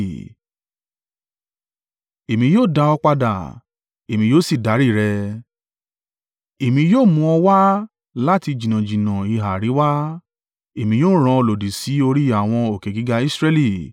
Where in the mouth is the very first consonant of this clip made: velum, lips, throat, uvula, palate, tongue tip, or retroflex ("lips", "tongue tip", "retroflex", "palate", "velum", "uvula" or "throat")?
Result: lips